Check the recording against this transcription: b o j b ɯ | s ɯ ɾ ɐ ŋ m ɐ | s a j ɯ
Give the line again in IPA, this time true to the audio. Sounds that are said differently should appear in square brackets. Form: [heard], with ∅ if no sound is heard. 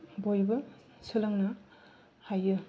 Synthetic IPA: b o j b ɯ | s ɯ [l] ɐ ŋ [n] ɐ | [h] a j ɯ